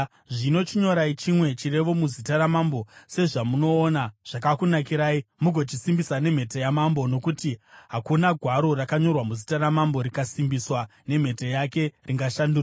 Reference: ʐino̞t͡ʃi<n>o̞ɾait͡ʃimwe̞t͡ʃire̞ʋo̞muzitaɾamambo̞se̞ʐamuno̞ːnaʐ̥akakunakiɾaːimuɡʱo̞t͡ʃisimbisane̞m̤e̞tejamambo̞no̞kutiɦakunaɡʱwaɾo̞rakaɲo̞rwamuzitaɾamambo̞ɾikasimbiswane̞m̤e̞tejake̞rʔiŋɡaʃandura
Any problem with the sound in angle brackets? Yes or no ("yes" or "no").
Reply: yes